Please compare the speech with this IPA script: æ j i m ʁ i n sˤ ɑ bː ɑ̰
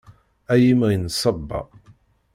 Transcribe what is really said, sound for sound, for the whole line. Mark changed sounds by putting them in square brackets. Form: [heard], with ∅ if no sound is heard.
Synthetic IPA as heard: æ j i m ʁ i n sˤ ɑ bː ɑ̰